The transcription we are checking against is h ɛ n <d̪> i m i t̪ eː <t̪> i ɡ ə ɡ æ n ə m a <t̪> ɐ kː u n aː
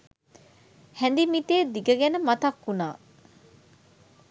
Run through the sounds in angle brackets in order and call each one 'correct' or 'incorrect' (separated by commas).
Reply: correct, incorrect, correct